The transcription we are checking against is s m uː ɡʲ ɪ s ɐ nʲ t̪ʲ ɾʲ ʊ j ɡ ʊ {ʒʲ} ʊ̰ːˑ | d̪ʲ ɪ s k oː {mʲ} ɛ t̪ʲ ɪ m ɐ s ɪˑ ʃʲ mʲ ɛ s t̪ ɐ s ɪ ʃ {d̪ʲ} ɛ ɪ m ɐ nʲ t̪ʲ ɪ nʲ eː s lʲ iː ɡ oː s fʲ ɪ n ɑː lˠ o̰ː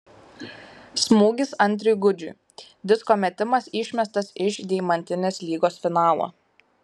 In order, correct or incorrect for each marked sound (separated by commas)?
incorrect, correct, correct